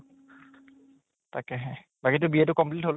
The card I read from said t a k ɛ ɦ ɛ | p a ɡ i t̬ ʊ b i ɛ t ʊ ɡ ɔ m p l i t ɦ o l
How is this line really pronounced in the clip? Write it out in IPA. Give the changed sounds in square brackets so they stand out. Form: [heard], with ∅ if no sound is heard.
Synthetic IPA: t a k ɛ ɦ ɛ | [b] a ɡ i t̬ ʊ b i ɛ t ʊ [k] ɔ m p l i t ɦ o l